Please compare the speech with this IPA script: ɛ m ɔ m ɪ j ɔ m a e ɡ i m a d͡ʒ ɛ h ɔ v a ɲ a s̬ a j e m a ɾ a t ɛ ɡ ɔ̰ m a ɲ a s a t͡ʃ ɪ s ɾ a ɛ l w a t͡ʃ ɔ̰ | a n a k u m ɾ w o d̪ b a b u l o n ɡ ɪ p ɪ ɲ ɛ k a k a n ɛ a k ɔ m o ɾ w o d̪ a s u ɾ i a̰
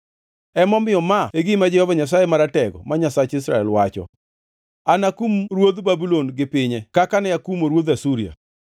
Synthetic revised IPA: ɛ m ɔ m ɪ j ɔ m a e ɡ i m a d͡ʒ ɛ h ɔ v a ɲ a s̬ a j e m a ɾ a t ɛ ɡ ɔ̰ m a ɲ a s a t͡ʃ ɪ s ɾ a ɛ l w a t͡ʃ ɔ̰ | a n a k u m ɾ w o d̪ b a b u l o n ɡ ɪ p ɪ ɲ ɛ k a k a n ɛ a k u m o ɾ w o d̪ a s u ɾ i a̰